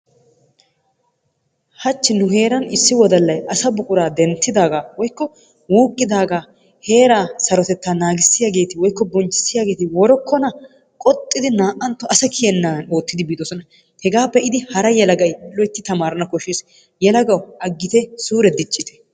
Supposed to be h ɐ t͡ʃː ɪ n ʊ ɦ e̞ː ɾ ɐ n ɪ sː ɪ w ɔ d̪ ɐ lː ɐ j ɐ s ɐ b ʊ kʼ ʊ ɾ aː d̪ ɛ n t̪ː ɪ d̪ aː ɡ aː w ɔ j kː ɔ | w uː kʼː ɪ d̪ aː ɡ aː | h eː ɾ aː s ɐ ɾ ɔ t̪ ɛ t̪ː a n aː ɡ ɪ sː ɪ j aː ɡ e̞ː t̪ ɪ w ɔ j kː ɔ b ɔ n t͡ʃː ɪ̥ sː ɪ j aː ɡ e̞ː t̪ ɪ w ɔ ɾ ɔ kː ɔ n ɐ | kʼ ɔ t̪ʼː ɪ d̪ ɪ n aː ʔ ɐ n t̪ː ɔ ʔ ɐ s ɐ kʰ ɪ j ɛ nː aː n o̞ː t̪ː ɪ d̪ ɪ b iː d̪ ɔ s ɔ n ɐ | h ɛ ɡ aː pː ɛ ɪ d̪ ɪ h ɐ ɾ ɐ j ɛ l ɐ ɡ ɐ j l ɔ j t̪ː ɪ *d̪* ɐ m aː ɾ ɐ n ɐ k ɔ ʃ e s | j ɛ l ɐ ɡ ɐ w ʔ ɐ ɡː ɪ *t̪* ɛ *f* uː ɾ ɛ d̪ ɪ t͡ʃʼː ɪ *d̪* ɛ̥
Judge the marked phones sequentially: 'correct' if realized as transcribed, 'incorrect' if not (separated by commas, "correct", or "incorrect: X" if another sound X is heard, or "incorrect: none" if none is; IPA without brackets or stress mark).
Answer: incorrect: t̪, correct, incorrect: s, incorrect: t̪